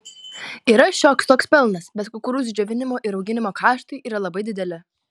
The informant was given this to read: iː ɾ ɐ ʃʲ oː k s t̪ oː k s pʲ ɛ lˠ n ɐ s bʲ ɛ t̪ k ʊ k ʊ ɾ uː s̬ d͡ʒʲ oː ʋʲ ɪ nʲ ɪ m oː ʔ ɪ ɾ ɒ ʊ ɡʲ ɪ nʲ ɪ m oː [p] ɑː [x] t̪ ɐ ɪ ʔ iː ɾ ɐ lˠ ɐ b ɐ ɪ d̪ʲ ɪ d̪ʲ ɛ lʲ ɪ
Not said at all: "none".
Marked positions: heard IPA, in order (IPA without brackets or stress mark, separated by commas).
k, ʃ